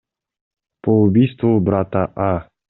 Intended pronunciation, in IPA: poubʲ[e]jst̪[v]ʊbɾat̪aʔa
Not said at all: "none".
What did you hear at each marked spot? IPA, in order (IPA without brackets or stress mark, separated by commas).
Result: i, v